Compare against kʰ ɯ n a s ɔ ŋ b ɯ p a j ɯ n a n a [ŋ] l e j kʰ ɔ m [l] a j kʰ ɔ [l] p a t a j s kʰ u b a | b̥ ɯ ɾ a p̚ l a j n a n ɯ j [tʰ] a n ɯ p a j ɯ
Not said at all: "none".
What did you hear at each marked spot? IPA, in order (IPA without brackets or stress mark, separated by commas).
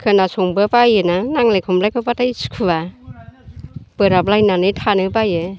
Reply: ŋ, l, none, tʰ